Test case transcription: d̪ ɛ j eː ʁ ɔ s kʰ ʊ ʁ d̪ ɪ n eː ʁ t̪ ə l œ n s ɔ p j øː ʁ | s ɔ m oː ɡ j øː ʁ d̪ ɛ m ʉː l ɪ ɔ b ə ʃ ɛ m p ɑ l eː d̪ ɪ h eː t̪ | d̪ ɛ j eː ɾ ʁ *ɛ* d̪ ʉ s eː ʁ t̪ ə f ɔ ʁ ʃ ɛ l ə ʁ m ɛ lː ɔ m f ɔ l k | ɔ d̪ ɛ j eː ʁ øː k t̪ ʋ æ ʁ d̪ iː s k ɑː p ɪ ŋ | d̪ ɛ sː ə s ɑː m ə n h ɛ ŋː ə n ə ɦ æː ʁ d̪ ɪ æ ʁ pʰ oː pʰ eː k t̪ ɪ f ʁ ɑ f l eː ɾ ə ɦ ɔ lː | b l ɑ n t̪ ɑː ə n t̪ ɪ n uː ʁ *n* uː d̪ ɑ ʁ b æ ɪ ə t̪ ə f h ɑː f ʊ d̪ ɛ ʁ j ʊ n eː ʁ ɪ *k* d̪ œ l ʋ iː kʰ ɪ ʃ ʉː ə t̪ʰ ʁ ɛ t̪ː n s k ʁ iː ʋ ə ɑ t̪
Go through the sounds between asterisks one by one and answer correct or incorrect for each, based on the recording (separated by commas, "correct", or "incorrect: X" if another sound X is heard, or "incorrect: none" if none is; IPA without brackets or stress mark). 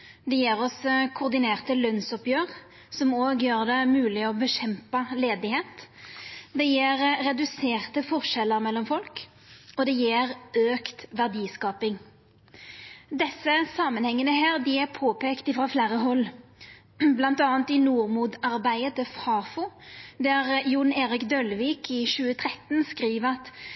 correct, incorrect: m, correct